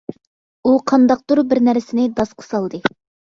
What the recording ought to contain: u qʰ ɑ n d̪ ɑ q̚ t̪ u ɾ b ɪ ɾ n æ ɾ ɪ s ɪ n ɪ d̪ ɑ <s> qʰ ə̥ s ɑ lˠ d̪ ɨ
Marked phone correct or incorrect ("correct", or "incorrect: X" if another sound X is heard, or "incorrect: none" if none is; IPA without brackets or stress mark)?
correct